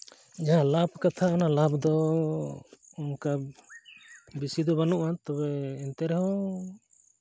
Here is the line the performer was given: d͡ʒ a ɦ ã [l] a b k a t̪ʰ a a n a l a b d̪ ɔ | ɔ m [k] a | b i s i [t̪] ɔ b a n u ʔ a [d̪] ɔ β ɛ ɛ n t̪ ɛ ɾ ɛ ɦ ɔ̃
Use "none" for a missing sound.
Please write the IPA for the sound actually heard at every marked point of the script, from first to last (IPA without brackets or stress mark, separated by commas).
l, k, d̪, t̪